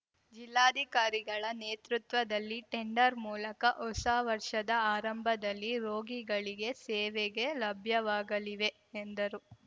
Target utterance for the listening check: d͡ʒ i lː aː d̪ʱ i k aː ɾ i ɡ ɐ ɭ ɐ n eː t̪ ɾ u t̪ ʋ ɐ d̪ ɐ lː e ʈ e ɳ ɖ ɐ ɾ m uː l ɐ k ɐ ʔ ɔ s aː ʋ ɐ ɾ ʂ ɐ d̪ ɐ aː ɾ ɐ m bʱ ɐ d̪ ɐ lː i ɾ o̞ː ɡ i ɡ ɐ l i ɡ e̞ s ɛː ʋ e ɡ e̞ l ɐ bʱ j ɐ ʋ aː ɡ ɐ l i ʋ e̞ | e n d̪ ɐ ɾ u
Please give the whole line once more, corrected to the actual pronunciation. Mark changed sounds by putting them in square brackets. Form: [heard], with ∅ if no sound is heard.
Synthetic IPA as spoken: d͡ʒ i lː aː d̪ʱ i k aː ɾ i ɡ ɐ ɭ ɐ n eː t̪ ɾ u t̪ ʋ ɐ d̪ ɐ lː [i] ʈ e ɳ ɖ ɐ ɾ m uː l ɐ k ɐ ʔ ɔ s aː ʋ ɐ ɾ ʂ ɐ d̪ ɐ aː ɾ ɐ m bʱ ɐ d̪ ɐ lː i ɾ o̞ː ɡ i ɡ ɐ [ɭ] i ɡ e̞ s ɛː ʋ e ɡ e̞ l ɐ bʱ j ɐ ʋ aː ɡ ɐ l i ʋ e̞ | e n d̪ ɐ ɾ u